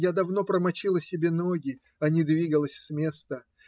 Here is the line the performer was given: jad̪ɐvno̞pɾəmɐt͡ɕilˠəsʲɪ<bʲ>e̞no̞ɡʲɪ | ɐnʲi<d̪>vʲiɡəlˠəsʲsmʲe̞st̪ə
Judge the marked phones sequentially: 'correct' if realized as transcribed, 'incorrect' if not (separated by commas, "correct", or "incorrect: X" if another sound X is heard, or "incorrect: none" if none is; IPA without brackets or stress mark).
correct, correct